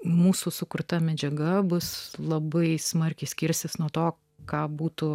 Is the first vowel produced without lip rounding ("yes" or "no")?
no